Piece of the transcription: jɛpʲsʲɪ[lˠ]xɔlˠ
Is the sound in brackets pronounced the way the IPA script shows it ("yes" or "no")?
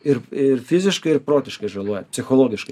no